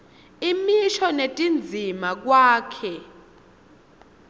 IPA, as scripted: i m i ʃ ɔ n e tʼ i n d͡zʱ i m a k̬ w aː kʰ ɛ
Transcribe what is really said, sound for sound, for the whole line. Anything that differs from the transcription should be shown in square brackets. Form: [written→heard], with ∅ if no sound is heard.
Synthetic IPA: i m i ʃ ɔ n e tʼ i n d͡zʱ i m a k̬ w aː kʰ ɛ